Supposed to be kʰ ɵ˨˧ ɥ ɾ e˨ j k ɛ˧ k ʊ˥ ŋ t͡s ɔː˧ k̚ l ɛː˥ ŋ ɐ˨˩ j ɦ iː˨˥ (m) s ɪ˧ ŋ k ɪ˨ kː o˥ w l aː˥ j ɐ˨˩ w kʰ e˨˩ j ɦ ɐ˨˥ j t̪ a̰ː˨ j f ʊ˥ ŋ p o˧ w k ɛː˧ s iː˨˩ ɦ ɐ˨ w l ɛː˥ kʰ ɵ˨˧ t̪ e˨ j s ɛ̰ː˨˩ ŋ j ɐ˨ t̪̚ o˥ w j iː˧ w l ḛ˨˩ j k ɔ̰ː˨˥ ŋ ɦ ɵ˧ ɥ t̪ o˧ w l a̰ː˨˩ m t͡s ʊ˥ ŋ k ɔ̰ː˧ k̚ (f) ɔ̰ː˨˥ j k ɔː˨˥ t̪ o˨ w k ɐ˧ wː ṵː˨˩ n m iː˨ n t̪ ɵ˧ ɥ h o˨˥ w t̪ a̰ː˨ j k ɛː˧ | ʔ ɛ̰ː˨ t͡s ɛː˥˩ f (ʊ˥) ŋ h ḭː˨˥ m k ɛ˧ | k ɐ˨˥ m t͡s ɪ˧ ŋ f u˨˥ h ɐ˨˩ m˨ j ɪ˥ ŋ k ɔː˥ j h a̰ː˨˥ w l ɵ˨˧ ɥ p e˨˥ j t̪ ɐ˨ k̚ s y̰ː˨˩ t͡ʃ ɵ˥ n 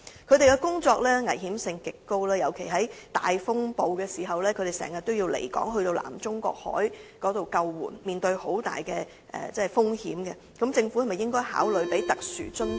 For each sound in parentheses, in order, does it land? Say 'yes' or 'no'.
yes, no, yes

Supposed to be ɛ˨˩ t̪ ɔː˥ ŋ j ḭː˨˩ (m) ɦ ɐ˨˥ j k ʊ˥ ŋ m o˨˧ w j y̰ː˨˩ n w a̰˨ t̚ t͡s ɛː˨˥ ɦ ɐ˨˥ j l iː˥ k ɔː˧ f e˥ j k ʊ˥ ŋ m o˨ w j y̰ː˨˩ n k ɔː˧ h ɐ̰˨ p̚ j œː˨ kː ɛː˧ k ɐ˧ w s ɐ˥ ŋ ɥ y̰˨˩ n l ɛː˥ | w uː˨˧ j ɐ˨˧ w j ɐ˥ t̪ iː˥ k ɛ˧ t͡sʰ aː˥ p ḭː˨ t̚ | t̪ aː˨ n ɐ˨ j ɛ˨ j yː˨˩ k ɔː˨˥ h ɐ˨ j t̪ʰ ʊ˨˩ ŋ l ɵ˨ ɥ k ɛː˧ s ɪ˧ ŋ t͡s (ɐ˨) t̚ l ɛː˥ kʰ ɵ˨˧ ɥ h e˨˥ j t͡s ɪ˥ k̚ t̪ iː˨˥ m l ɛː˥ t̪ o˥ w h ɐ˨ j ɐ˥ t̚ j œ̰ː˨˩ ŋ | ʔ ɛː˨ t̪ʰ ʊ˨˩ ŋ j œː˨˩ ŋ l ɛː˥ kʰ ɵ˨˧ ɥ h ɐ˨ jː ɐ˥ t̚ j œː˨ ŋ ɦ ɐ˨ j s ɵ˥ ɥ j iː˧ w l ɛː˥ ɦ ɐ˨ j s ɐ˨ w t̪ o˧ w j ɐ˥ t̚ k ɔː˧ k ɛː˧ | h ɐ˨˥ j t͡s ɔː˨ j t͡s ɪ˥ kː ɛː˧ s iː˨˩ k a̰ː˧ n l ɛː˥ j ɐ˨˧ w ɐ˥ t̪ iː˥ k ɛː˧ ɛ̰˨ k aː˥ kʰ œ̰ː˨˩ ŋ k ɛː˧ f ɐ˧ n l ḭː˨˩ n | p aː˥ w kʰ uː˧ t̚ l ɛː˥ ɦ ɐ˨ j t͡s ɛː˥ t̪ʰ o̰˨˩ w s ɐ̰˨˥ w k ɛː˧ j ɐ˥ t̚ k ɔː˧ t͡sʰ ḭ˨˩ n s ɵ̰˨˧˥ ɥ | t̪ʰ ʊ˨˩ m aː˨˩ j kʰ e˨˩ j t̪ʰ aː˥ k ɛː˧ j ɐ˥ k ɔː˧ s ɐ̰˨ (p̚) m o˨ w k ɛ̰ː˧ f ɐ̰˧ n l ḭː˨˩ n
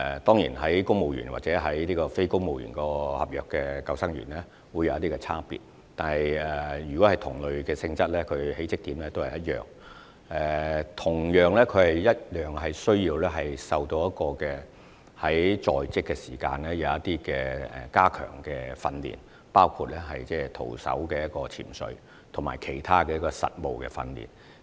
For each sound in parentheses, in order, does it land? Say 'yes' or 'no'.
no, no, no

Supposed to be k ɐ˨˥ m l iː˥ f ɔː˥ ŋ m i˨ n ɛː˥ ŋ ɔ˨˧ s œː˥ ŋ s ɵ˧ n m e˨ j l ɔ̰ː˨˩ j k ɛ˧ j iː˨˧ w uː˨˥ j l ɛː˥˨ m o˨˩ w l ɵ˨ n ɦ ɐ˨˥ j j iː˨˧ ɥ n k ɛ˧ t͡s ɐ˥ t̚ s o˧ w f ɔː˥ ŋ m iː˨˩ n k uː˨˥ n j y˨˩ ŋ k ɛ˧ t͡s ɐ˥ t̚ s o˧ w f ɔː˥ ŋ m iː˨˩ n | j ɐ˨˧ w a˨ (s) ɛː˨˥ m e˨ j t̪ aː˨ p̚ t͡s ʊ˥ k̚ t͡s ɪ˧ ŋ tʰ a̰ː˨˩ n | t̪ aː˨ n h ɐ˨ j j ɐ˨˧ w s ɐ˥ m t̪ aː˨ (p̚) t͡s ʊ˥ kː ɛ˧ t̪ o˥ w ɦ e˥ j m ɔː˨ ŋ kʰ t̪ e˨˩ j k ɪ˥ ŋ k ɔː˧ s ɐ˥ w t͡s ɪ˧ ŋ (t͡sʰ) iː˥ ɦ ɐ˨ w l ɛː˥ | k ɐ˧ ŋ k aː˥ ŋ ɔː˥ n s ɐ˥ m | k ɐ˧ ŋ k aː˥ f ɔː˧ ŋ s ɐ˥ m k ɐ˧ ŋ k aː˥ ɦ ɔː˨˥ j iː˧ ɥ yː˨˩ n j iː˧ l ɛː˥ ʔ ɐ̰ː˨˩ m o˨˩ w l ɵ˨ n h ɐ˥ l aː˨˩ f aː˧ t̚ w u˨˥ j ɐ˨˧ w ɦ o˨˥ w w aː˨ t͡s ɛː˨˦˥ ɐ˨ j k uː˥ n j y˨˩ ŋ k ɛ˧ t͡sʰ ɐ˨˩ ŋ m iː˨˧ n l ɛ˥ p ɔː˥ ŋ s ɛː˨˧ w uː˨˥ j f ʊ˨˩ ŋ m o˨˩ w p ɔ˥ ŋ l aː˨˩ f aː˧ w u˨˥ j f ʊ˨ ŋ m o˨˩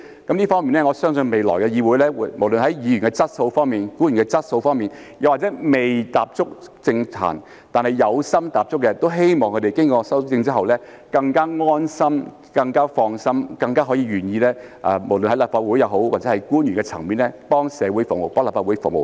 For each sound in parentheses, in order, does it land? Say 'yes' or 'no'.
no, yes, no

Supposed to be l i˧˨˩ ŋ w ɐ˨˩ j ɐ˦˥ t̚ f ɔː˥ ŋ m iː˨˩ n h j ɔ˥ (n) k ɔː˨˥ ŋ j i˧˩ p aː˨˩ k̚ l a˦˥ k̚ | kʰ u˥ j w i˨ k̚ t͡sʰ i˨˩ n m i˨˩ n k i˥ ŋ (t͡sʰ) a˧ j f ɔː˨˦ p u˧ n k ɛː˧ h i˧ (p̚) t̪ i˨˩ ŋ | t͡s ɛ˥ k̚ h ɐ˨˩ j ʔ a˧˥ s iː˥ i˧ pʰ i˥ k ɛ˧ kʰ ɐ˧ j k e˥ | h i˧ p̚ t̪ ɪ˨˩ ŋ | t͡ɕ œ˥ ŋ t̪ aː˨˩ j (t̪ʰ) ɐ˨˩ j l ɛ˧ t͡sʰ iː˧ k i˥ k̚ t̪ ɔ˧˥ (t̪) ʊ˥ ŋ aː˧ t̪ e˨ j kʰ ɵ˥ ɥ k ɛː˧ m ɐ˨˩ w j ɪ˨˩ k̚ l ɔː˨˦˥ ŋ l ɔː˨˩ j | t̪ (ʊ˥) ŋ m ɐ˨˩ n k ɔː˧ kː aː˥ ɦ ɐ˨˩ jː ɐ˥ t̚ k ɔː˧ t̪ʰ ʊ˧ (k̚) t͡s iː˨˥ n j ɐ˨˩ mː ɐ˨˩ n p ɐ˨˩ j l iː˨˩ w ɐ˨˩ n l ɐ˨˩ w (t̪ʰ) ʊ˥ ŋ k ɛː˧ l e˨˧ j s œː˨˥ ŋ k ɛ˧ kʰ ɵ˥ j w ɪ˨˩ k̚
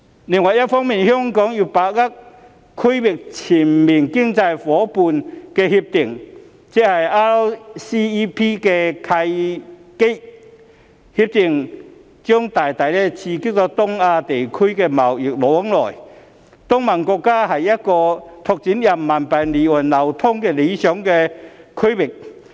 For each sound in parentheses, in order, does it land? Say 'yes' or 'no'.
no, no, yes, no, yes, yes, yes, yes

